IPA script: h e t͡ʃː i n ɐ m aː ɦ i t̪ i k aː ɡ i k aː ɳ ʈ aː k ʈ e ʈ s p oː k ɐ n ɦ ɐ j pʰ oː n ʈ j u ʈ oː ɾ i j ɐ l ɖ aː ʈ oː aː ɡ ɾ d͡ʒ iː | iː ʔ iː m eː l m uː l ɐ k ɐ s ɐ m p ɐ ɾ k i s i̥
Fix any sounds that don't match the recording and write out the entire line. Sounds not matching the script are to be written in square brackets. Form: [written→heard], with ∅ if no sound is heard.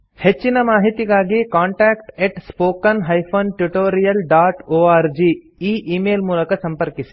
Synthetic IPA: h e t͡ʃː i n ɐ m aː ɦ i t̪ i [k→ɡ] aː ɡ i k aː ɳ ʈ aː k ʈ e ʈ s p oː k ɐ n ɦ ɐ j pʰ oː n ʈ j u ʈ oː ɾ i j ɐ l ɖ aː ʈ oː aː [ɡ→∅] ɾ d͡ʒ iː | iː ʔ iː m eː l m uː l ɐ k ɐ s ɐ m p ɐ ɾ k i s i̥

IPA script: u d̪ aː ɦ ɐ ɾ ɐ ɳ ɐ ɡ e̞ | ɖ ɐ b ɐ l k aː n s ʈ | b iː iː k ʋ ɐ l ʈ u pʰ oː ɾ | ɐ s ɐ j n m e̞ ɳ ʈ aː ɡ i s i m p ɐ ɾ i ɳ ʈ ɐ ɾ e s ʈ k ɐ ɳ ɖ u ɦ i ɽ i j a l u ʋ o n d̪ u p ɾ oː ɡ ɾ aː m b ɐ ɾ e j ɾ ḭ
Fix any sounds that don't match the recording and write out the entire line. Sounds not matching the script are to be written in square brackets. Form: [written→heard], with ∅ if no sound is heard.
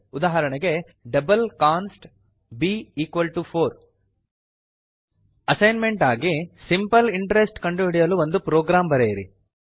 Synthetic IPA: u d̪ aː ɦ ɐ ɾ ɐ ɳ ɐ ɡ e̞ | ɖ ɐ b ɐ l k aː n s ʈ | b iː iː k ʋ ɐ l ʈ u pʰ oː ɾ | ɐ s ɐ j n m e̞ ɳ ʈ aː ɡ i s i m p ɐ [ɾ→l] i ɳ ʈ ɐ ɾ e s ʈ k ɐ ɳ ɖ u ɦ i ɽ i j [a→ɐ] l u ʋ o n d̪ u p ɾ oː ɡ ɾ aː m b ɐ ɾ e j ɾ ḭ

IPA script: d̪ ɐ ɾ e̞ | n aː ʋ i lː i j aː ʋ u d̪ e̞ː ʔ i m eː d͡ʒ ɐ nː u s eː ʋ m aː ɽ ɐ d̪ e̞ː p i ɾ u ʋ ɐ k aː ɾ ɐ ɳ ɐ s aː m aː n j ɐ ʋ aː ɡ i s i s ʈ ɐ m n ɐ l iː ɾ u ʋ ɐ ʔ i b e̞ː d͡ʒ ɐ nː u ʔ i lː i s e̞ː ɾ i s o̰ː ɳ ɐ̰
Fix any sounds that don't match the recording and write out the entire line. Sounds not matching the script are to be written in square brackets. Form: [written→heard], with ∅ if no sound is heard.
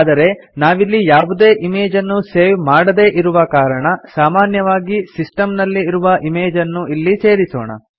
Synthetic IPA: d̪ ɐ ɾ e̞ | n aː ʋ i lː i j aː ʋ u d̪ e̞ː ʔ i m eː d͡ʒ ɐ nː u s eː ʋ m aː ɽ ɐ d̪ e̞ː [p→ʔ] i ɾ u ʋ ɐ k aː ɾ ɐ ɳ ɐ s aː m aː n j ɐ ʋ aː ɡ i s i s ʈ ɐ m n ɐ [l→lː] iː ɾ u ʋ ɐ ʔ i [b→m] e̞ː d͡ʒ ɐ nː u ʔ i lː i s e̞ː ɾ i s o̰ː ɳ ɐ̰

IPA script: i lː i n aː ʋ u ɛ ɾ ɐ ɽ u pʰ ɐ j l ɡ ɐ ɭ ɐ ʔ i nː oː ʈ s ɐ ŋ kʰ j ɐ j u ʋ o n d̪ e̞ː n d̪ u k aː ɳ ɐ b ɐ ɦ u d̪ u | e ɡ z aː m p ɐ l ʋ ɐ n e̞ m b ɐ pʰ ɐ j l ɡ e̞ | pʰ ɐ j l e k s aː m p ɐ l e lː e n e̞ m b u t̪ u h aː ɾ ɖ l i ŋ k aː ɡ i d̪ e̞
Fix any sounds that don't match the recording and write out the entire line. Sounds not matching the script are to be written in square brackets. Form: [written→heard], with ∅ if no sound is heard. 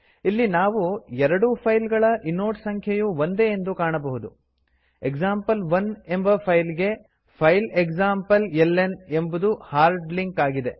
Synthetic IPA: i lː i n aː ʋ u ɛ ɾ ɐ ɽ u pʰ ɐ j l ɡ ɐ ɭ ɐ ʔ i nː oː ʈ s ɐ ŋ kʰ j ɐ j u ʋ o n d̪ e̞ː n d̪ u k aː ɳ ɐ b ɐ ɦ u d̪ u | e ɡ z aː m p ɐ l ʋ ɐ n e̞ m b ɐ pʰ ɐ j l ɡ e̞ | pʰ ɐ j l e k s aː m p ɐ l e lː e n e̞ m b u [t̪→d̪] u h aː ɾ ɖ l i ŋ k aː ɡ i d̪ e̞

